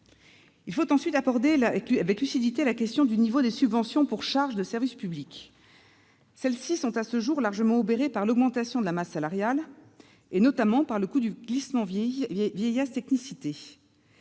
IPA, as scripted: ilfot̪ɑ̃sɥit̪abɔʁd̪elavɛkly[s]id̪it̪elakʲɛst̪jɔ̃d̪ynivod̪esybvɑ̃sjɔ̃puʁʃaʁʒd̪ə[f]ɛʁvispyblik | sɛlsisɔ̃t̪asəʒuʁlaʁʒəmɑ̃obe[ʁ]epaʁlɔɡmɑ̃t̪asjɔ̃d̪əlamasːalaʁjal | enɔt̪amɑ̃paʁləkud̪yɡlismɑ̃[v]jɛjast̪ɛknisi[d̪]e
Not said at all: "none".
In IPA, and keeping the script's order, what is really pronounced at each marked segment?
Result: s, s, ʁ, v, t̪

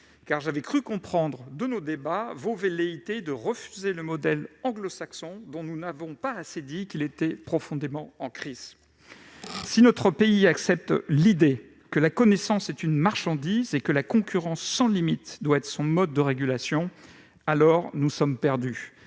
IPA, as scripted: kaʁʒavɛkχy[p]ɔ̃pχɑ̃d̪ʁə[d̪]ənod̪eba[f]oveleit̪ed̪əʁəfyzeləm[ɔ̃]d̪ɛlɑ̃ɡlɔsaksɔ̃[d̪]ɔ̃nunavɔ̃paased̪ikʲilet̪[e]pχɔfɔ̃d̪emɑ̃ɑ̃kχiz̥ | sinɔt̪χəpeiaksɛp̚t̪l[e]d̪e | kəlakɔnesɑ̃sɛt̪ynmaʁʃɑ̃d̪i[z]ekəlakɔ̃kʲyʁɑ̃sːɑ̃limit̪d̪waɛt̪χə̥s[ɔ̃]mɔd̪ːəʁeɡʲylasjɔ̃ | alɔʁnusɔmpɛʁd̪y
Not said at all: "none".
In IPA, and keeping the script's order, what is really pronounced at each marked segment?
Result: k, d̪, v, ɔ, d̪, ɛ, i, z, ɔ̃

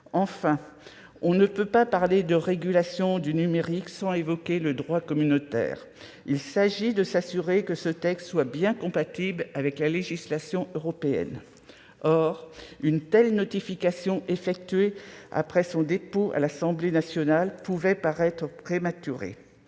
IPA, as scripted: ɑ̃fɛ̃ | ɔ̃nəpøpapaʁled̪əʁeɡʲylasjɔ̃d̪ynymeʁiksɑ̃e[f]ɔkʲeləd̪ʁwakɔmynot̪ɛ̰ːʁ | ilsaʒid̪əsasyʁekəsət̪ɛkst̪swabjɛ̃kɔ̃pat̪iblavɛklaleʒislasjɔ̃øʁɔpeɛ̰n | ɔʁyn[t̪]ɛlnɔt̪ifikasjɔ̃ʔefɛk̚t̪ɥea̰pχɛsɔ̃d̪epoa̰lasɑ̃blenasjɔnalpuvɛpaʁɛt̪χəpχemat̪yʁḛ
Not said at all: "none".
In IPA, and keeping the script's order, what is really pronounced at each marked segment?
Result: v, t̪

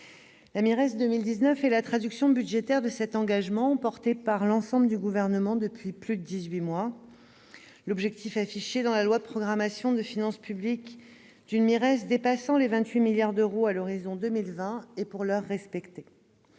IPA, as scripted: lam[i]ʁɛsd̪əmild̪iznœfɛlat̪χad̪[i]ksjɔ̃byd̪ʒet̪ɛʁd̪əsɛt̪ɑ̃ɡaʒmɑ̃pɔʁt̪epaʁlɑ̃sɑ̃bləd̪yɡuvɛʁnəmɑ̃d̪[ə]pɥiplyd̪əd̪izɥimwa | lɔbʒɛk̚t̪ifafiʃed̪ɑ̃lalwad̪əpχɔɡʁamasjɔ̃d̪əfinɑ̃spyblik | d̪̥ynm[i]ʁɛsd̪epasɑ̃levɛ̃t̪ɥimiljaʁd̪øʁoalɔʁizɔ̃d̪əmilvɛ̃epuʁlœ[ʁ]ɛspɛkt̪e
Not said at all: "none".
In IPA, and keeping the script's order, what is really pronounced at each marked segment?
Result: i, y, ə, i, ʁː

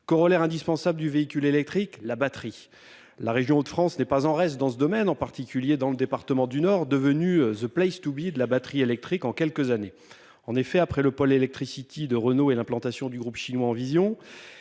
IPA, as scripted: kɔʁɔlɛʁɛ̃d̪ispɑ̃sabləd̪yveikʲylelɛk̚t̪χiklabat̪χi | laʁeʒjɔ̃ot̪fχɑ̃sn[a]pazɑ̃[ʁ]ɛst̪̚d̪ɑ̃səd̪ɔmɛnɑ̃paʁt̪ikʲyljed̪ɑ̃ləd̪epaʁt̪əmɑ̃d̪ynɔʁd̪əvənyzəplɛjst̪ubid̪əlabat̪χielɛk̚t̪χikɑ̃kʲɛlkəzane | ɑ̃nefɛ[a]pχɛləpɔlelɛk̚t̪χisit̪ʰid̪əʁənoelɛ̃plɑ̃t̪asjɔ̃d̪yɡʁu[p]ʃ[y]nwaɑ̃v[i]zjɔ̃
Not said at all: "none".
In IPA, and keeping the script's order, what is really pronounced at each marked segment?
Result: ɛ, ʁ, a, p, i, i

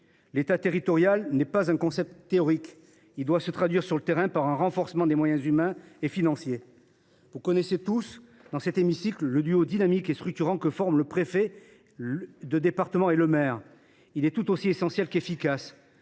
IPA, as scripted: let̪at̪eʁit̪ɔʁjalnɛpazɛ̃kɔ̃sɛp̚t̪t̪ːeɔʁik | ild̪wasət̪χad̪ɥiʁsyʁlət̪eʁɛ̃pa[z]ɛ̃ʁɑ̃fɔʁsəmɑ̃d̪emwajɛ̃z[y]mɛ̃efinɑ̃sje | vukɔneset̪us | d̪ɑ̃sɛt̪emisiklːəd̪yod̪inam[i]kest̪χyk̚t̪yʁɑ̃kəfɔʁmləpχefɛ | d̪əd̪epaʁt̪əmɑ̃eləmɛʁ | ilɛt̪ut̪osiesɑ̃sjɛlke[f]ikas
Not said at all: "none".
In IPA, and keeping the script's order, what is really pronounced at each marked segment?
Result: ʁ, y, i, f

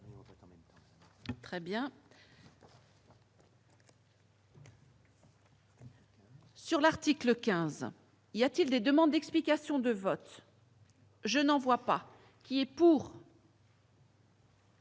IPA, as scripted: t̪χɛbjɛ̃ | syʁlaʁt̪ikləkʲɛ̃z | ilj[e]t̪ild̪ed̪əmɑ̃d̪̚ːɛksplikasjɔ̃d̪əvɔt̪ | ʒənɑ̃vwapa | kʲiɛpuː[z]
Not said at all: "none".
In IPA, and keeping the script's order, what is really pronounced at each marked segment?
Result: a, ʁ

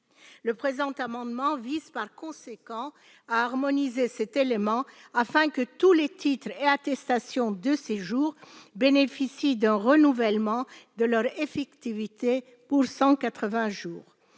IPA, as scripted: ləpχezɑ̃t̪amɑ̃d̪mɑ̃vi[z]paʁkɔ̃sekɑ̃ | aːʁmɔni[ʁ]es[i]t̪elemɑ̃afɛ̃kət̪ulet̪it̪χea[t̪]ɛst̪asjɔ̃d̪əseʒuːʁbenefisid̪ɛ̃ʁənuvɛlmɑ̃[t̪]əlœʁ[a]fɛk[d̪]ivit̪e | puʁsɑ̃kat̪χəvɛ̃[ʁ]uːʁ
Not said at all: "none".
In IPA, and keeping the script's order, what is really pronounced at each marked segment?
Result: z, z, ɛ, t̪, d̪, e, t̪, ʒ

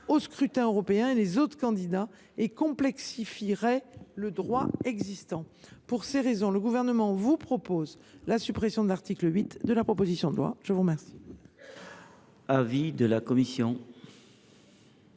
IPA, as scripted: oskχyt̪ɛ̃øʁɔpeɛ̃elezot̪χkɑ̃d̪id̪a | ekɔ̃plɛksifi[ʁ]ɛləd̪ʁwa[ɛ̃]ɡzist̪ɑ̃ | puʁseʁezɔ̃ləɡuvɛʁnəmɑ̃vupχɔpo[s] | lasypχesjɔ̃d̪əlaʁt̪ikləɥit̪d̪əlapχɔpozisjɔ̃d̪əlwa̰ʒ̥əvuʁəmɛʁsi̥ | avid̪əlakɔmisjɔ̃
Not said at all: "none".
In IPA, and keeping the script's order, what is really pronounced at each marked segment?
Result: ʁ, ɛ, z

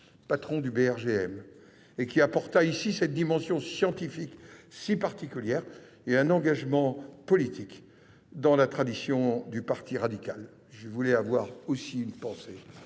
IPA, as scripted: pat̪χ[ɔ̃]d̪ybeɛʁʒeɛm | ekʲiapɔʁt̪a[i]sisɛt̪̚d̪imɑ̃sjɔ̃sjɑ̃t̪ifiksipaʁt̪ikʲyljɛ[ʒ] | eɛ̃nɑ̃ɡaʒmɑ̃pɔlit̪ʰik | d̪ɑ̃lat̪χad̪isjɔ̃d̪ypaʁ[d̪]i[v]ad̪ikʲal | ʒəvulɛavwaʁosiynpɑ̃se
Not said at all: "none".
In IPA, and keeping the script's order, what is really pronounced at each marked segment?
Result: ɔ̃, i, ʁ, t̪, ʁ

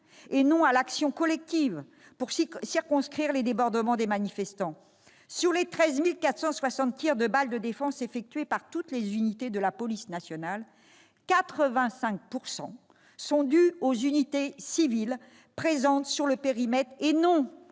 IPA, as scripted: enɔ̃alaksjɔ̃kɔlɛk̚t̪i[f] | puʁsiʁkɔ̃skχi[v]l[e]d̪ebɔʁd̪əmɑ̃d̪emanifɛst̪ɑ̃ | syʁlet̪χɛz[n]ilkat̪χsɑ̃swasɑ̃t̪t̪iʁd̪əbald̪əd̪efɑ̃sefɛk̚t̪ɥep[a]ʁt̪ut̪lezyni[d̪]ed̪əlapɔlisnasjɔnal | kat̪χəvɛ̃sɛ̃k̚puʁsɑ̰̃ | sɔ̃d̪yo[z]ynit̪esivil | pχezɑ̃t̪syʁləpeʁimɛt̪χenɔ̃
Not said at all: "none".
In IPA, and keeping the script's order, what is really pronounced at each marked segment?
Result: v, ʁ, e, m, a, t̪, z

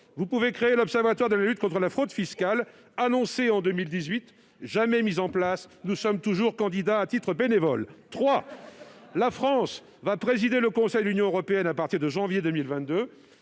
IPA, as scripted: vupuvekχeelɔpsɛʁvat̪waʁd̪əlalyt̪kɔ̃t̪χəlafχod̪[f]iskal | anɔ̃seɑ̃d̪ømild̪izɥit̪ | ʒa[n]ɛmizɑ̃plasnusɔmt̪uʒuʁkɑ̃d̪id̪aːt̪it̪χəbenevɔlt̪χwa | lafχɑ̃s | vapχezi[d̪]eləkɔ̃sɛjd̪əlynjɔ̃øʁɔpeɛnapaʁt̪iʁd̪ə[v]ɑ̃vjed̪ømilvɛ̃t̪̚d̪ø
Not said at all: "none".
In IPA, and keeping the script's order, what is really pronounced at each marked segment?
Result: f, m, d̪, ʒ

